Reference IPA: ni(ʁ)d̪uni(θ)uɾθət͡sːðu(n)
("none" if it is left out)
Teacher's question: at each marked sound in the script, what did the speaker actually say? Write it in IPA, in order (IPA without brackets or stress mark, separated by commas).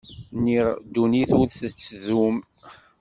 ʁ, θ, m